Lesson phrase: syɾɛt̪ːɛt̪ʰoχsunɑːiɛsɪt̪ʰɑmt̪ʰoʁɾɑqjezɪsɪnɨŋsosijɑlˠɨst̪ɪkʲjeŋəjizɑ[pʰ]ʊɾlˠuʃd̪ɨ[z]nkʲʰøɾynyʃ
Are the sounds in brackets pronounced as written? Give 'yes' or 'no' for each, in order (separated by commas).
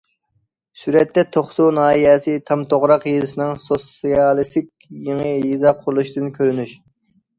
no, no